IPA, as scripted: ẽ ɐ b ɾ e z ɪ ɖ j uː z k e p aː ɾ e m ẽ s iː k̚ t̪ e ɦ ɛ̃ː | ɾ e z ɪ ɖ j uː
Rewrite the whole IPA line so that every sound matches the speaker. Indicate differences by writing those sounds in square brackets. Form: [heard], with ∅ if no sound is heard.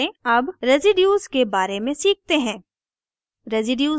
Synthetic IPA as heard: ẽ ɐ b ɾ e z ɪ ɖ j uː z k e [b] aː ɾ e m ẽ s iː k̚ t̪ e ɦ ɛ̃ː | ɾ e z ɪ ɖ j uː

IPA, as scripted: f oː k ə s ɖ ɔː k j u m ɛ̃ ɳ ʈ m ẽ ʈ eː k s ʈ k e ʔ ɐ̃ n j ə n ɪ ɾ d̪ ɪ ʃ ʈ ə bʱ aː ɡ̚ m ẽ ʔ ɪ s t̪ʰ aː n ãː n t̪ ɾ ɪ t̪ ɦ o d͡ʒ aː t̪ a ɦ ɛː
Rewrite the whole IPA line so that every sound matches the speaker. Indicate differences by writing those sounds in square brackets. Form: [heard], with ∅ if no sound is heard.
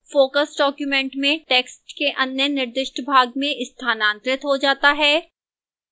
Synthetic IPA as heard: f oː k ə s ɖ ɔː k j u m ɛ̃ ɳ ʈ m ẽ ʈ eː k s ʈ k e ʔ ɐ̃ n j ə n ɪ ɾ d̪ ɪ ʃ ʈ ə bʱ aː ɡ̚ m ẽ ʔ ɪ s t̪ʰ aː n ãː n t̪ ɾ ɪ t̪ ɦ o d͡ʒ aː t̪ a ɦ ɛː

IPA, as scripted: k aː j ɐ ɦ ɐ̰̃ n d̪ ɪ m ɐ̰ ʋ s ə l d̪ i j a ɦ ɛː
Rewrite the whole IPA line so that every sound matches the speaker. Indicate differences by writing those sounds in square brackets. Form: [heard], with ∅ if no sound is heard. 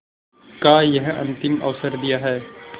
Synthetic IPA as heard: k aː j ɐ ɦ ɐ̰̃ n [t̪] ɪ m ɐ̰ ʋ s ə [ɾ] d̪ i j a ɦ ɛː

